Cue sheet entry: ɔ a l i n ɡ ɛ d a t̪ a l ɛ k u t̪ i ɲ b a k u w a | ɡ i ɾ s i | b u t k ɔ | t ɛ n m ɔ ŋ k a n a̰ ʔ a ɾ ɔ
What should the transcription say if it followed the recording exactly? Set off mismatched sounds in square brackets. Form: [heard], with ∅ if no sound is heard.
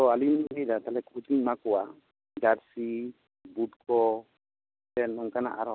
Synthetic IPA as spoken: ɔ a l i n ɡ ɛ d a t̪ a l ɛ k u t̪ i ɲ [m] a k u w a | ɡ [a] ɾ s i | b u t k ɔ | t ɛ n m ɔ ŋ k a n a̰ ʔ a ɾ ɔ